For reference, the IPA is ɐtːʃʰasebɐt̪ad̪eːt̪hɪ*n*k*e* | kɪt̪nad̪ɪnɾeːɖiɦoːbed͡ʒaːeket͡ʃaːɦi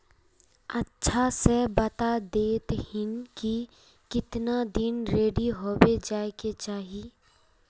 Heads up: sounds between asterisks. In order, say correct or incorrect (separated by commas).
correct, incorrect